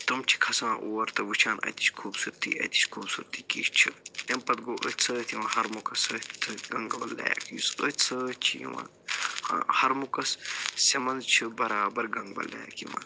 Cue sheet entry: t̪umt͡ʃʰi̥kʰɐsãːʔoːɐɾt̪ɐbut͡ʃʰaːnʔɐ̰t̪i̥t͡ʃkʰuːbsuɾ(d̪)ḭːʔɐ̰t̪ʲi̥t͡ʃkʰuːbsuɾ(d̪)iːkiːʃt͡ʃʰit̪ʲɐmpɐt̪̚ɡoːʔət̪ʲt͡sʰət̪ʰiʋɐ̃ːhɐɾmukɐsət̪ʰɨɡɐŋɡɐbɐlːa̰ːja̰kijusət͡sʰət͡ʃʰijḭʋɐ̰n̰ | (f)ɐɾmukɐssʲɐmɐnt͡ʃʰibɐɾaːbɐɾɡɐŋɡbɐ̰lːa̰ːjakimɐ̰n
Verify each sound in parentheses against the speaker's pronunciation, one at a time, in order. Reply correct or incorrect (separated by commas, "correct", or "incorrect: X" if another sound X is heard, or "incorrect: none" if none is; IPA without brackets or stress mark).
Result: incorrect: t̪, incorrect: t̪, incorrect: h